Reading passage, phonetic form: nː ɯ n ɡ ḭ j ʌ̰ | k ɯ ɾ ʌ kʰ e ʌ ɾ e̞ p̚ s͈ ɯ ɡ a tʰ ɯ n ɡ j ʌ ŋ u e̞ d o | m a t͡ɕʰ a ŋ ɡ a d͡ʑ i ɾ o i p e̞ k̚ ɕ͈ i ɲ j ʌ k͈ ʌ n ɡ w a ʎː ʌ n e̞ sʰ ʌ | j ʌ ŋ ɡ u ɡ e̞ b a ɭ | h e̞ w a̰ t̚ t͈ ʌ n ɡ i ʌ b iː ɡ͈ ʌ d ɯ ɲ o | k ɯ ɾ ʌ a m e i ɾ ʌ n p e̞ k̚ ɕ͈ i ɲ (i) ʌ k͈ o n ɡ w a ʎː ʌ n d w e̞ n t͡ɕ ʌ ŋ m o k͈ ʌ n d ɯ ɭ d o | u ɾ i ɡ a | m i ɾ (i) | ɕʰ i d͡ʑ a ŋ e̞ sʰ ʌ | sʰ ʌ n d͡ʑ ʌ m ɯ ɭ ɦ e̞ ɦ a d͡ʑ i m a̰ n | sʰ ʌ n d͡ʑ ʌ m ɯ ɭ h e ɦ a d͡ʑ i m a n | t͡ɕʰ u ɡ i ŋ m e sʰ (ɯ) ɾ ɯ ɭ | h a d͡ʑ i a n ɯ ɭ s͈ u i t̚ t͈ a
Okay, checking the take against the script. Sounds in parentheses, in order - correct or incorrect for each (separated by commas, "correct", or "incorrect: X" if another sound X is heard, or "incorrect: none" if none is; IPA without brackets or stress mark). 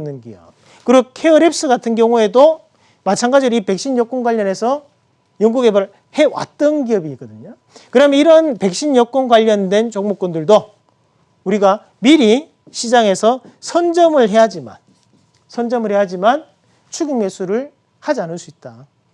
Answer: incorrect: j, correct, incorrect: u